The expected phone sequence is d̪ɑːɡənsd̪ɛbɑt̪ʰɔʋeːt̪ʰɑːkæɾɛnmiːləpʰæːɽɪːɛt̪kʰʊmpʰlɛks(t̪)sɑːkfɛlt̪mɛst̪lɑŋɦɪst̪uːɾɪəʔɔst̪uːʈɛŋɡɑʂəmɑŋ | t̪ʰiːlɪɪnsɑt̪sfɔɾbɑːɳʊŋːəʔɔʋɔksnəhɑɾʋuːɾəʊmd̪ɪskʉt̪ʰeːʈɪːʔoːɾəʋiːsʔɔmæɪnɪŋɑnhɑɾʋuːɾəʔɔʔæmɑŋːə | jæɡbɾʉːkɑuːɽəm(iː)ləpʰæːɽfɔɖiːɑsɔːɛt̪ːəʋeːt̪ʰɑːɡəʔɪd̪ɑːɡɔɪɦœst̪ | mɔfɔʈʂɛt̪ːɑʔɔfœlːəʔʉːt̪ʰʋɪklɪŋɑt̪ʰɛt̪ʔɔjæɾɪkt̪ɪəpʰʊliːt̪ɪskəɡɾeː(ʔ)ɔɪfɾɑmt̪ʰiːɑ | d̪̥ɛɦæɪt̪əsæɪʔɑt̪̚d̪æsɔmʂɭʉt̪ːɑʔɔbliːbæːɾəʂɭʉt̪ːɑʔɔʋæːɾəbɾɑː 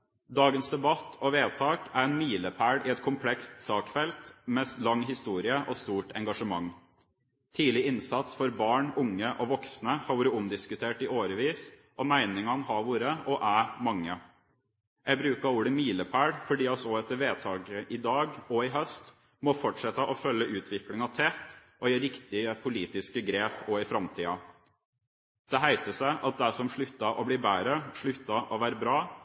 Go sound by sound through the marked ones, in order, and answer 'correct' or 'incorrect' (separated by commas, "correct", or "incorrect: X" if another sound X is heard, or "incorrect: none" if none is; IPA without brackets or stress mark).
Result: correct, correct, incorrect: p